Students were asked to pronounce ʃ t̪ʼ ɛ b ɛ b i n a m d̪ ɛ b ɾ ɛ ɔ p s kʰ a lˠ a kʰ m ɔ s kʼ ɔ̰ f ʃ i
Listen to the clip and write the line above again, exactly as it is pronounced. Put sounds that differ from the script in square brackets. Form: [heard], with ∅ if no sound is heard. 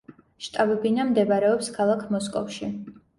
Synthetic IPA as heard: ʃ t̪ʼ [a] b ɛ b i n a m d̪ ɛ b ɾ ɛ ɔ p s kʰ a lˠ a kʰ m ɔ s kʼ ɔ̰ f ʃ i